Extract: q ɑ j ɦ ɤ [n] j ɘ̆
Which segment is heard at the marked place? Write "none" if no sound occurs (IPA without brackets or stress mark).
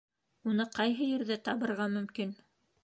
none